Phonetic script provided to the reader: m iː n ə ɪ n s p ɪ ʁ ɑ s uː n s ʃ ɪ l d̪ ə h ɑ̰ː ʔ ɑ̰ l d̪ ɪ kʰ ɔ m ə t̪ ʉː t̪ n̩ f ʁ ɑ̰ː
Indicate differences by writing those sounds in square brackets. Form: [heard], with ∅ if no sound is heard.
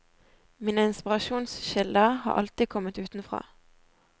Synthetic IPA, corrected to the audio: m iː n ə ɪ n s p ɪ ʁ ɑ [ʃ] uː n s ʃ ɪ l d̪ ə h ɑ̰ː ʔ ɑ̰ l [t̪] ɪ kʰ ɔ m ə t̪ ʉː t̪ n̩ f ʁ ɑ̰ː